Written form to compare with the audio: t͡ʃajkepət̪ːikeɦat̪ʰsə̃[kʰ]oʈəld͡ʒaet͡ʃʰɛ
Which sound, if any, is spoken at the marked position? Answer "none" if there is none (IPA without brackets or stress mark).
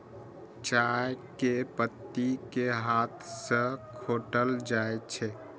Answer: kʰ